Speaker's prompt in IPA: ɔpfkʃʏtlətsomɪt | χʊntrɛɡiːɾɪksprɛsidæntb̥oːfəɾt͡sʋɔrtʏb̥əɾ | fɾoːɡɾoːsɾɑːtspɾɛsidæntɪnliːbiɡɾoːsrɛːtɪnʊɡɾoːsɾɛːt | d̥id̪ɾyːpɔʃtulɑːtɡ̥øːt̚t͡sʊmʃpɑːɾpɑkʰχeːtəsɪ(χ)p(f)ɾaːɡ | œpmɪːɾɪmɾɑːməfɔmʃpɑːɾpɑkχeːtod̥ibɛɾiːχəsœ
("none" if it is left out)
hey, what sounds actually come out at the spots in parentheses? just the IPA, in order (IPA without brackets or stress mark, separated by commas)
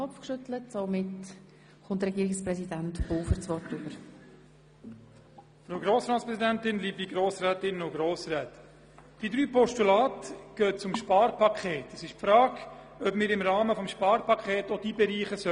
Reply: ʃ, f